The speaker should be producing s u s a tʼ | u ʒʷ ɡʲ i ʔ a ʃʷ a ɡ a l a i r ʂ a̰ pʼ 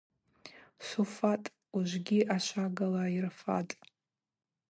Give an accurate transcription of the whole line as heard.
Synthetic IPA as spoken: s u f a tʼ | u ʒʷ ɡʲ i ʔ a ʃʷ a ɡ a l a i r f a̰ tʼ